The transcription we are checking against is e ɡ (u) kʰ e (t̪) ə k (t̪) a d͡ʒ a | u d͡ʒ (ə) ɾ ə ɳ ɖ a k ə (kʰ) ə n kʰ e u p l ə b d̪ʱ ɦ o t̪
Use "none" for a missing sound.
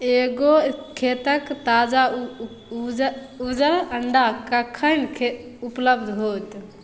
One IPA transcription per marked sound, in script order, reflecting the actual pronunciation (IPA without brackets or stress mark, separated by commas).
o, t̪, t̪, ə, kʰ